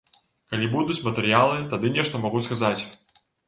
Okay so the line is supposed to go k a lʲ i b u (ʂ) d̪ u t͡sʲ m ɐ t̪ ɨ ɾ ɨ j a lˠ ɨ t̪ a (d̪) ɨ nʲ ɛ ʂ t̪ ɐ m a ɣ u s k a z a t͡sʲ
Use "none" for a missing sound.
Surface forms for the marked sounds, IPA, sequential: none, d̪

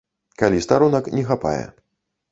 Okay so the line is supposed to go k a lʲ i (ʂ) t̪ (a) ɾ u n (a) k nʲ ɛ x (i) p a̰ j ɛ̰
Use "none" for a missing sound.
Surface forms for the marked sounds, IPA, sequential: s, a, ɐ, a

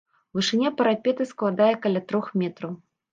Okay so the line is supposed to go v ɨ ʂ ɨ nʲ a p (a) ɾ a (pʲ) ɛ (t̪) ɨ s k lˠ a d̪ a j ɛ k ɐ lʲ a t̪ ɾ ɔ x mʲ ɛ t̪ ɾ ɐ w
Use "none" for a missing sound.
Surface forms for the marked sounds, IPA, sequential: ɐ, pʲ, t̪

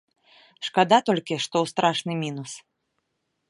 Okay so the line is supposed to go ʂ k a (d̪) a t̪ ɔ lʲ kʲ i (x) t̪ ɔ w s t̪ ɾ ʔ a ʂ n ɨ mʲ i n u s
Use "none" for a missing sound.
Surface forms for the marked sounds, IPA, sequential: d̪, ʂ

